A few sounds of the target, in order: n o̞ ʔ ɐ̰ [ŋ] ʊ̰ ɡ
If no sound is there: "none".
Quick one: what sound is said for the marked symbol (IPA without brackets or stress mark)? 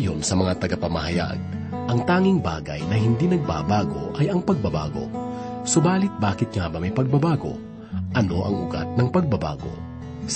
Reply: ŋ